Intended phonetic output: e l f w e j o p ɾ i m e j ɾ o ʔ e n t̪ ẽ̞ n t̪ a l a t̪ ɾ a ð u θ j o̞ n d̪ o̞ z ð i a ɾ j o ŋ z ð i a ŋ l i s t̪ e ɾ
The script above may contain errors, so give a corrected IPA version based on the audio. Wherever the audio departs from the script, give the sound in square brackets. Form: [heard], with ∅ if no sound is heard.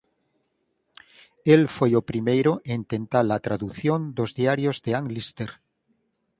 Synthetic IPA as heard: e l f w e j o p ɾ i m e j ɾ o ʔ e n t̪ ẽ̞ n t̪ a l a t̪ ɾ a ð u θ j o̞ n d̪ o̞ z ð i a ɾ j o [∅] z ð [e] a ŋ l i s t̪ e ɾ